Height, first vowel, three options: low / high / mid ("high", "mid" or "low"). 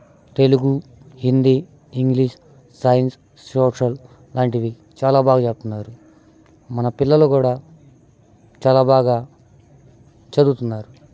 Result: mid